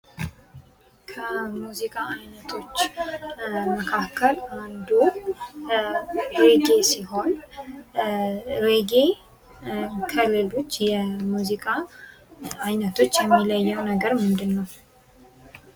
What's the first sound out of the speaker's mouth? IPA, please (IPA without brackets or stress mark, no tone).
kʰ